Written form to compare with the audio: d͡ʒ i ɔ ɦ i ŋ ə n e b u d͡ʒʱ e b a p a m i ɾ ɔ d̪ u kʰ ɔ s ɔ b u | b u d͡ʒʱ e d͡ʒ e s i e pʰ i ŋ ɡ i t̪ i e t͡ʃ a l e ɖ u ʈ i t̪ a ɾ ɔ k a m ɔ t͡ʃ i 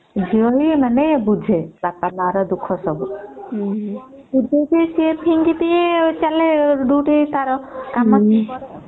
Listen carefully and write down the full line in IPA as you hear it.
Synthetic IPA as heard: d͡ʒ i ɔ ɦ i m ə n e b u d͡ʒʱ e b a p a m a ɾ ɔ d̪ u kʰ ɔ s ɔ b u | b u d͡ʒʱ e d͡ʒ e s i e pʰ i ŋ ɡ i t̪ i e t͡ʃ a l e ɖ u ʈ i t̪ a ɾ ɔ k a m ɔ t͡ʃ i

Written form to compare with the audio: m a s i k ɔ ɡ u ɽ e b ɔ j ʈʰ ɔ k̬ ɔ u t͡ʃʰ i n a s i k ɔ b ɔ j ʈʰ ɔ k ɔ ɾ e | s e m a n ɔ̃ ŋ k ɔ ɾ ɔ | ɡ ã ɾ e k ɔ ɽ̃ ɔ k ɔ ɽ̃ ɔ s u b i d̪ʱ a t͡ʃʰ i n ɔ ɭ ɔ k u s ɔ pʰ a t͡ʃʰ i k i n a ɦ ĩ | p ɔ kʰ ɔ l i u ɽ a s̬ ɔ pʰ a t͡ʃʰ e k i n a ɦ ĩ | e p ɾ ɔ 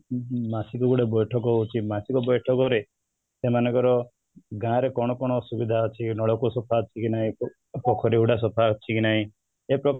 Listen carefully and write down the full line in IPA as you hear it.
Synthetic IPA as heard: m a s i k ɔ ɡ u ɽ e b ɔ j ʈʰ ɔ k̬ ɔ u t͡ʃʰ i m a s i k ɔ b ɔ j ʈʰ ɔ k ɔ ɾ e | s e m a n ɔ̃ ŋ k ɔ ɾ ɔ | ɡ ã ɾ e k ɔ ɽ̃ ɔ k ɔ ɽ̃ ɔ s u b i d̪ʱ a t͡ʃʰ i n ɔ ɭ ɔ k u s ɔ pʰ a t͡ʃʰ i k i n a ɦ ĩ | p ɔ kʰ ɔ ɾ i u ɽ a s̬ ɔ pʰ a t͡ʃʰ i k i n a ɦ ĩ | e p ɾ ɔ

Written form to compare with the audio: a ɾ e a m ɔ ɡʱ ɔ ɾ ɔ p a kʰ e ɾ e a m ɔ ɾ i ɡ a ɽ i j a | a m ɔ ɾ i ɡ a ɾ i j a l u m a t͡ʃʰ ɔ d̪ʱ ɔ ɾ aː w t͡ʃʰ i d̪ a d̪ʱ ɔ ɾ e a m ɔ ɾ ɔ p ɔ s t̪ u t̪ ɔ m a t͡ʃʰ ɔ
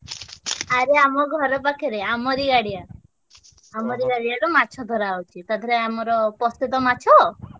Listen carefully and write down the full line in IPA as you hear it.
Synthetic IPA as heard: a ɾ e a m ɔ ɡʱ ɔ ɾ ɔ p a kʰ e ɾ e a m ɔ ɾ i ɡ a ɽ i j a | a m ɔ ɾ i ɡ a ɽ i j a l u m a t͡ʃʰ ɔ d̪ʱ ɔ ɾ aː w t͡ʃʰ i t̪ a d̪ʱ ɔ ɾ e a m ɔ ɾ ɔ p ɔ s t̪ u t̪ ɔ m a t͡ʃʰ ɔ

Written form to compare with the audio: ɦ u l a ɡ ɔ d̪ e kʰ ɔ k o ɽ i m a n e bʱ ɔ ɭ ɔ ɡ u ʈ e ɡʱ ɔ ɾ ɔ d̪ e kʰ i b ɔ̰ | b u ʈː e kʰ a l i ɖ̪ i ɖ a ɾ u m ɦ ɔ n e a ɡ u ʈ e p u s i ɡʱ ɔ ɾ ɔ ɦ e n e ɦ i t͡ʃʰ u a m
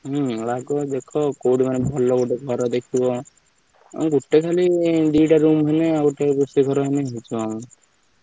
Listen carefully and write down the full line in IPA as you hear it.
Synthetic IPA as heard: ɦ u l a ɡ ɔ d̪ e kʰ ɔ k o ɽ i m a n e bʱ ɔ l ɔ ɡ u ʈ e ɡʱ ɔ ɾ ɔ d̪ e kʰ i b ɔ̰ | ɡ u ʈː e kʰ a l i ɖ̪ i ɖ a ɾ u m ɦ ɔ n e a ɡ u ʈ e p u s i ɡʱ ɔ ɾ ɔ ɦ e n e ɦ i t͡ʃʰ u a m

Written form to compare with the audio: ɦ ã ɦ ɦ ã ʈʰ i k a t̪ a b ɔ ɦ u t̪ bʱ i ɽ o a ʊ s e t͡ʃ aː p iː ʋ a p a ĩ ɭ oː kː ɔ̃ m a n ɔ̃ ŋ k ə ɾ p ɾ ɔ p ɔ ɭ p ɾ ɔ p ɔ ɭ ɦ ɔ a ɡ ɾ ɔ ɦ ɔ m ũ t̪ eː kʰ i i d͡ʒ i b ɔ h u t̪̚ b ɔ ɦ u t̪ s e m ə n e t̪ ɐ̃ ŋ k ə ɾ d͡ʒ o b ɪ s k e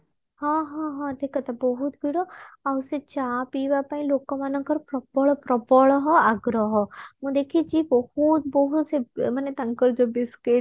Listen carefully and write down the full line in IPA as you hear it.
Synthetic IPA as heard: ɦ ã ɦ ɦ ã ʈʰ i k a t̪ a b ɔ ɦ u t̪ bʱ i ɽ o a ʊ s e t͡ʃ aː p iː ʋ a p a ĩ l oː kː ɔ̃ m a n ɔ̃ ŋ k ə ɾ p ɾ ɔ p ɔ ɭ p ɾ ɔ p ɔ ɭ ɦ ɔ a ɡ ɾ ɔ ɦ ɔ m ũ d̪ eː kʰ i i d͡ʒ i b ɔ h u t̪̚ b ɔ ɦ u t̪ s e m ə n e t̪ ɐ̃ ŋ k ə ɾ d͡ʒ o b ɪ s k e

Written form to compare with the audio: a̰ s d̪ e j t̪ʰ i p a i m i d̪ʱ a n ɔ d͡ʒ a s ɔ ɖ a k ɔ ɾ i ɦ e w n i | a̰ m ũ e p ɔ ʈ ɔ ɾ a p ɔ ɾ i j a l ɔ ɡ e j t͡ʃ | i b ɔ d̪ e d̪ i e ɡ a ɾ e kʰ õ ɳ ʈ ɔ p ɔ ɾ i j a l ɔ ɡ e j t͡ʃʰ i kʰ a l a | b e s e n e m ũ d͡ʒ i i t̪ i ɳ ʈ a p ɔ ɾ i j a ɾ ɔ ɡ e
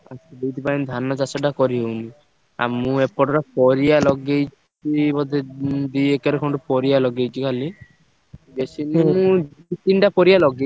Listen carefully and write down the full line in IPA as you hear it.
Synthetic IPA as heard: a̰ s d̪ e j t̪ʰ i p a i n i d̪ʱ a n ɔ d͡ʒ a s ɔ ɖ a k ɔ ɾ i ɦ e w n i | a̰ m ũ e p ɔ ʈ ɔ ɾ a p ɔ ɾ i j a l ɔ ɡ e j t͡ʃ | i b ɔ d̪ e d̪ i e k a ɾ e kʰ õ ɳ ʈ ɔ p ɔ ɾ i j a l ɔ ɡ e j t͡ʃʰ i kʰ a l i | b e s i n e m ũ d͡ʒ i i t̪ i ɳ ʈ a p ɔ ɾ i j a l ɔ ɡ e

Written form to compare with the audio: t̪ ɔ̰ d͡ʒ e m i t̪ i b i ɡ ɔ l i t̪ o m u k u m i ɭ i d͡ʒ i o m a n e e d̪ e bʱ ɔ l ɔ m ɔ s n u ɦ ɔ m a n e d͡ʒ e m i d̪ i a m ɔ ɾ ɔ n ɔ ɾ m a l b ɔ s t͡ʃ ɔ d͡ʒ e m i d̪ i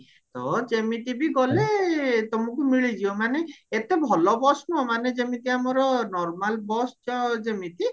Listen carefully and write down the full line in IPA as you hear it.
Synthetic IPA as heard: t̪ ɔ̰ d͡ʒ e m i t̪ i b i ɡ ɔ l e t̪ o m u k u m i ɭ i d͡ʒ i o m a n e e t̪ e bʱ ɔ l ɔ b ɔ s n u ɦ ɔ m a n e d͡ʒ e m i t̪ i a m ɔ ɾ ɔ n ɔ ɾ m a l b ɔ s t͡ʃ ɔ d͡ʒ e m i t̪ i

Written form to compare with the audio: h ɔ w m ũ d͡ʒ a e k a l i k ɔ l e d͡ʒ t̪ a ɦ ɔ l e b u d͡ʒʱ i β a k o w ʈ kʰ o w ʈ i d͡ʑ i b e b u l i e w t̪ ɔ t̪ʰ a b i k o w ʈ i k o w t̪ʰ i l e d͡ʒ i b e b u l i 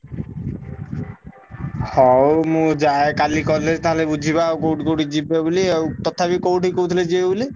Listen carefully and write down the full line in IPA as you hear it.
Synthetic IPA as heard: h ɔ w m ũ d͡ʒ a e k a l i k ɔ l e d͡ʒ t̪ a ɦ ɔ l e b u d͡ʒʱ i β a k o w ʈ k o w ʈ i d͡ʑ i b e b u l i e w t̪ ɔ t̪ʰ a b i k o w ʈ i k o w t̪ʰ i l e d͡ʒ i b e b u l i

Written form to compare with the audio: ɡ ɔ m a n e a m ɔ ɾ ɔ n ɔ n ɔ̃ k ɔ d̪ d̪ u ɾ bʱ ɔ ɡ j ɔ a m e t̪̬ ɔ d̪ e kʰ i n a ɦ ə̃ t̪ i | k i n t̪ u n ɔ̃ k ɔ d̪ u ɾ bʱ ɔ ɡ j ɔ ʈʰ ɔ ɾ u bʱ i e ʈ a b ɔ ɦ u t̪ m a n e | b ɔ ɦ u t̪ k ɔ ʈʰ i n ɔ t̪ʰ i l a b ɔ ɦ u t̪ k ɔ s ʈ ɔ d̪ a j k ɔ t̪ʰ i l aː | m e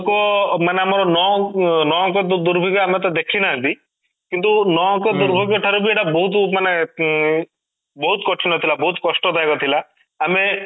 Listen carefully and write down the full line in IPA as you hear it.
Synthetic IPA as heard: k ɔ m a n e a m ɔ ɾ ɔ n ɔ n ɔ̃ k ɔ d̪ d̪ u ɾ bʱ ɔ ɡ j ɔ a m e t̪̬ ɔ d̪ e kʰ i n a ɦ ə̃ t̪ i | k i n t̪ u n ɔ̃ k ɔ d̪ u ɾ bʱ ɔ ɡ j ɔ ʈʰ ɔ ɾ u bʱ i e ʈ a b ɔ ɦ u t̪ m a n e | b ɔ ɦ u t̪ k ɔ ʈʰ i n ɔ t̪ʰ i l a b ɔ ɦ u t̪ k ɔ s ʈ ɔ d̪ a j k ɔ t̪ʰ i l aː | m e

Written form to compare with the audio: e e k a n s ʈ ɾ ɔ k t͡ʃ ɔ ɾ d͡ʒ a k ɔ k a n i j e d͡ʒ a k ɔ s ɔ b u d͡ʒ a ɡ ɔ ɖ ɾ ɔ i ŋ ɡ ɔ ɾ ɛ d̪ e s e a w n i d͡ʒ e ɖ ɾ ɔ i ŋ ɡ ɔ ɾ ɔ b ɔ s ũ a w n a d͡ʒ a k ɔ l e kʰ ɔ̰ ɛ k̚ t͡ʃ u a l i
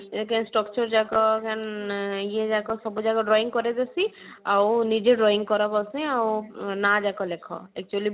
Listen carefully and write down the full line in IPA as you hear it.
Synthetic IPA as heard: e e k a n s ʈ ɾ ɔ k t͡ʃ ɔ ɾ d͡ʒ a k ɔ k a n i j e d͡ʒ a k ɔ s ɔ b u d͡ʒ a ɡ ɔ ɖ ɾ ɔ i ŋ k ɔ ɾ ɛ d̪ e s i a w n i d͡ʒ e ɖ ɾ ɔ i ŋ k ɔ ɾ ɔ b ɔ s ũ a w n a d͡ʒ a k ɔ l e kʰ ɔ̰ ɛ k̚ t͡ʃ u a l i

